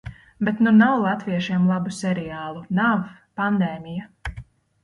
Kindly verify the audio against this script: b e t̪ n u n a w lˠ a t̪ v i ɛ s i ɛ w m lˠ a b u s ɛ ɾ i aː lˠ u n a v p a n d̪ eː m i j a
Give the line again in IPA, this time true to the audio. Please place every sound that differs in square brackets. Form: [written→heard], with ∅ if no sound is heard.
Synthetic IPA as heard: b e t̪ n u n a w lˠ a t̪ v i ɛ [s→ʃ] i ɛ [w→∅] m lˠ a b u s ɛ ɾ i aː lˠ u n a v p a n d̪ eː m i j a